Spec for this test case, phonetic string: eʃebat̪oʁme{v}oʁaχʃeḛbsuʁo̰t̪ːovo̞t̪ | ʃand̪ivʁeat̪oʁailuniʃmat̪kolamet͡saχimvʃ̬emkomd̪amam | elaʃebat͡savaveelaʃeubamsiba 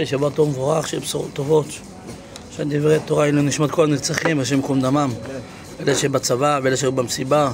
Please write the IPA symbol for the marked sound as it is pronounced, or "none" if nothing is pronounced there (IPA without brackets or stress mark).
v